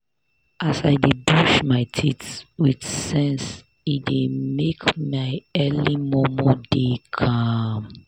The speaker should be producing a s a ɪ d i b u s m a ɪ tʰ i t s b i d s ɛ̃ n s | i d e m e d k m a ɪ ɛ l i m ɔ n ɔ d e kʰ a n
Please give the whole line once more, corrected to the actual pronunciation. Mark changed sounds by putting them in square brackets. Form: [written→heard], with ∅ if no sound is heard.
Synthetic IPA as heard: a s a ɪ d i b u [s→ʃ] m a ɪ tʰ i t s [b→w] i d s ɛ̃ n s | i d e m e [d→∅] k m a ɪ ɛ l i m ɔ [n→m] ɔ d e kʰ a [n→m]